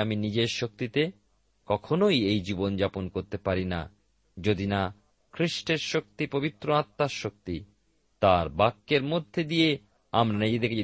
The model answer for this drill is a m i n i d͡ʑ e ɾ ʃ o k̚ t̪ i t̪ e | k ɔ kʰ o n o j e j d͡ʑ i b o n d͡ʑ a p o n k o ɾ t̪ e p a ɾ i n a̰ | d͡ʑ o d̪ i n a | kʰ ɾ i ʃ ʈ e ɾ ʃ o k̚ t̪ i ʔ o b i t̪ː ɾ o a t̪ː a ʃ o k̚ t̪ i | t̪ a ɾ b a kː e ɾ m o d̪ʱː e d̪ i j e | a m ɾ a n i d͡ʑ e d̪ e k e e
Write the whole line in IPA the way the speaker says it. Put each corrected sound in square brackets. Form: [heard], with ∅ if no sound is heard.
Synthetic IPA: a m i n i d͡ʑ e ɾ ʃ o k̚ t̪ i t̪ e | k ɔ kʰ o n o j e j d͡ʑ i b o n d͡ʑ a p o n k o ɾ t̪ e p a ɾ i n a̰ | d͡ʑ o d̪ i n a | kʰ ɾ i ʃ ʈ e ɾ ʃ o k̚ t̪ i [p] o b i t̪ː ɾ o a t̪ː a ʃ o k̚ t̪ i | t̪ a ɾ b a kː e ɾ m o d̪ʱː e d̪ i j e | a m ɾ a n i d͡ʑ e d̪ e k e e